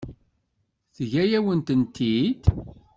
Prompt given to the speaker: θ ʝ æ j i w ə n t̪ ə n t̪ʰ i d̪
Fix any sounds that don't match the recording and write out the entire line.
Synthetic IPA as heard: θ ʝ æ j æ w ə n t̪ ə n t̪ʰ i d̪